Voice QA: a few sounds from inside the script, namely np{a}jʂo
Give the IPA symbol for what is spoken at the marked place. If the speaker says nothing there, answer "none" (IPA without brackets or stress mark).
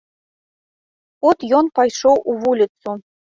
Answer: ɑ